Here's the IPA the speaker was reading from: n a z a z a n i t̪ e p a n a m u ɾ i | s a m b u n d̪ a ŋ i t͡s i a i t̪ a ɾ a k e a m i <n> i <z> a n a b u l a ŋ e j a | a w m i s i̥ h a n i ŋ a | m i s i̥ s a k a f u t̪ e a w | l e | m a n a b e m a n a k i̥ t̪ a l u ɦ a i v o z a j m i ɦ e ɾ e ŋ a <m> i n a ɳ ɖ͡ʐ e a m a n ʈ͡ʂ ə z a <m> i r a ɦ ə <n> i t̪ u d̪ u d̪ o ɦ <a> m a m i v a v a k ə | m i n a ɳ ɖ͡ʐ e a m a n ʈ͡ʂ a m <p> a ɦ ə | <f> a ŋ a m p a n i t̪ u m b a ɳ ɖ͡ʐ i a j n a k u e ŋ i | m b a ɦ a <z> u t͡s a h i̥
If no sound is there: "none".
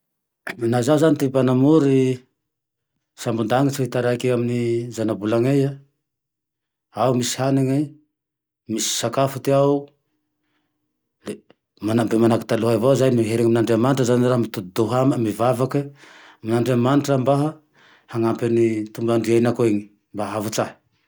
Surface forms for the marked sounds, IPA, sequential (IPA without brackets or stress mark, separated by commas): n, z, m, n, m, a, b, h, v